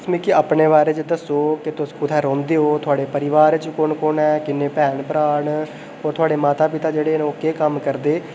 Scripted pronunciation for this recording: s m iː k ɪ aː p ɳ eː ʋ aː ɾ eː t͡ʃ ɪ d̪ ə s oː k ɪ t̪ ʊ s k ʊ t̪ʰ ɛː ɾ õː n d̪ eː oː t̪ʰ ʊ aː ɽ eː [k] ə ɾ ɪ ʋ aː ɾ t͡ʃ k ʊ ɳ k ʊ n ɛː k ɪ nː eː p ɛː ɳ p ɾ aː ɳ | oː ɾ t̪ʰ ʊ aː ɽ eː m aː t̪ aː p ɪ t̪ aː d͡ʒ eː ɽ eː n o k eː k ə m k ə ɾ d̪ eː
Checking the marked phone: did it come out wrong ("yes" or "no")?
yes